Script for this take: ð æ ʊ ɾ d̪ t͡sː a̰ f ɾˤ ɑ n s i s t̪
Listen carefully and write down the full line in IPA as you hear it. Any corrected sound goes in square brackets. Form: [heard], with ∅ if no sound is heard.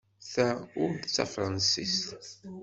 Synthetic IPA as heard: [θ] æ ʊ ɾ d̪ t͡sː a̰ f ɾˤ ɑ n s i s t̪